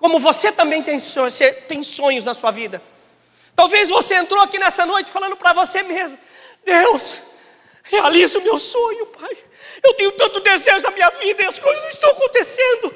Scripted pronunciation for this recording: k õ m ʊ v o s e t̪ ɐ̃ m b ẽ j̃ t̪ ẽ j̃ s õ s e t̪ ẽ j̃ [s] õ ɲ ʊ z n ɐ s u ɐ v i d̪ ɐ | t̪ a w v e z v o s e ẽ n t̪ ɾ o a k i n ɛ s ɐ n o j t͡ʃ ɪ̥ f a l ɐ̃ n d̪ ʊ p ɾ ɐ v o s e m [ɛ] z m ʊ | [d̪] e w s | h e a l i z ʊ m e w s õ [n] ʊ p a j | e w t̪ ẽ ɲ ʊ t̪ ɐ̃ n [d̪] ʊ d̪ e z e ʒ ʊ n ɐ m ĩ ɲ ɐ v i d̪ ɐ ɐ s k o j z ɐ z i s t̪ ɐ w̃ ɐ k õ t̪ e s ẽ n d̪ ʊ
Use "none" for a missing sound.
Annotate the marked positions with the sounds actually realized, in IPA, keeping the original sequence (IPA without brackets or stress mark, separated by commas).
s, e, d̪, ɲ, t̪